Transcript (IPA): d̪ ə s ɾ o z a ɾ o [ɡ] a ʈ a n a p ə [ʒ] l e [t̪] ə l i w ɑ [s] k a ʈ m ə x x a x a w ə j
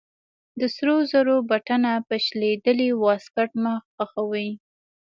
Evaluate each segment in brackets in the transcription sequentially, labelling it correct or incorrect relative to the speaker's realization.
incorrect, incorrect, incorrect, correct

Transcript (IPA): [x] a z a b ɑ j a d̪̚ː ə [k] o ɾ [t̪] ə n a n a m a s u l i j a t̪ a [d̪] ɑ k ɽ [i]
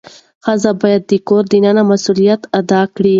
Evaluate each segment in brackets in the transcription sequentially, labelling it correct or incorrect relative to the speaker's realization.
correct, correct, incorrect, correct, correct

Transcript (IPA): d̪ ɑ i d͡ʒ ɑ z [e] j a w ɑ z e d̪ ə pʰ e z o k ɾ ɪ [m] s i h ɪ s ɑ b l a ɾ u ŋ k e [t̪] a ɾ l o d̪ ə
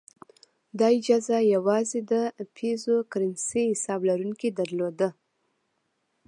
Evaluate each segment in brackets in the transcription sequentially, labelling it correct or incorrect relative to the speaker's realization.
incorrect, incorrect, incorrect

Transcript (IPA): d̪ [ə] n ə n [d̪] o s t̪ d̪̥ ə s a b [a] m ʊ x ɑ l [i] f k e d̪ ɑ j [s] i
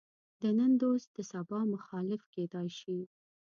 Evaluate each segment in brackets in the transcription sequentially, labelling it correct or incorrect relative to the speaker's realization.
correct, correct, incorrect, incorrect, incorrect

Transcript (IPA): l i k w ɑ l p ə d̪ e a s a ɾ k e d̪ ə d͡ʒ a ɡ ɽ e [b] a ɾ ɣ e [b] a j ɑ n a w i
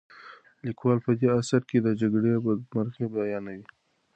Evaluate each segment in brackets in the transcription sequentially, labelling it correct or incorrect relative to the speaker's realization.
incorrect, correct

